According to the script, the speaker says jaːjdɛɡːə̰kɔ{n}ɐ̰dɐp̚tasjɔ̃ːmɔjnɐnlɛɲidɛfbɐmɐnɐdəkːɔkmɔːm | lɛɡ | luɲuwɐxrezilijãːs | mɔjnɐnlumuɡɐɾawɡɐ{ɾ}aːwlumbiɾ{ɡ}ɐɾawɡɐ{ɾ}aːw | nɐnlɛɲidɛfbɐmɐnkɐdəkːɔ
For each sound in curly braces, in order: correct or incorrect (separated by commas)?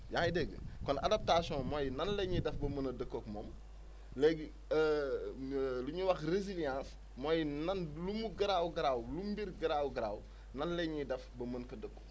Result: correct, correct, correct, correct